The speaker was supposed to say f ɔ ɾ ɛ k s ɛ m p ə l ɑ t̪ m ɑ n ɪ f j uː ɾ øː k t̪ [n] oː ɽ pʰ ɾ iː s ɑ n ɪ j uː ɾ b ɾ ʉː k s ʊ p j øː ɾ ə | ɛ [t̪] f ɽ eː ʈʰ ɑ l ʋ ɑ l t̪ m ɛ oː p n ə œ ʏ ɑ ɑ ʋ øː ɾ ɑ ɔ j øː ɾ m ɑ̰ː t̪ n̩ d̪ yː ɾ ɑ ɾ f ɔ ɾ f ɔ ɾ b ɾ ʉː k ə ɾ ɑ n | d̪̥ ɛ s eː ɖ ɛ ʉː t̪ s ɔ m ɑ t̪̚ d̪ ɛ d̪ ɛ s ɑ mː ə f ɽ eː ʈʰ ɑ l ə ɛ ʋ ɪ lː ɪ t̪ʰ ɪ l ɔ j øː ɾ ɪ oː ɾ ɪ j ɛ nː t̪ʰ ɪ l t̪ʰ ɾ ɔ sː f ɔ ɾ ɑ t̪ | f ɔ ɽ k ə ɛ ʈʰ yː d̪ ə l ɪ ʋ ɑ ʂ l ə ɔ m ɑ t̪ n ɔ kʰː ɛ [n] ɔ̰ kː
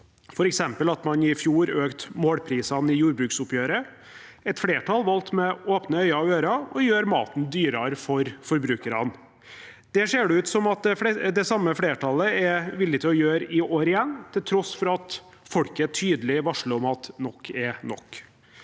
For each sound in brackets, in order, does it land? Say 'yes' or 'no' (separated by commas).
no, yes, yes